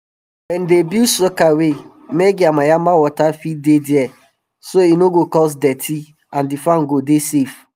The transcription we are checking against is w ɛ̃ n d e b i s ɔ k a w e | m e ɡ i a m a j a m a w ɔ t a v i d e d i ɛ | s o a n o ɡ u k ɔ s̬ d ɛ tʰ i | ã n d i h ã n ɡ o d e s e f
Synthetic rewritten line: w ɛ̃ n d e b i s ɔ k a w e | m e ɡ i a m a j a m a w ɔ t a f i d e d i ɛ | s o i n o ɡ o k ɔ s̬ d ɛ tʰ i | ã n d i f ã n ɡ o d e s e f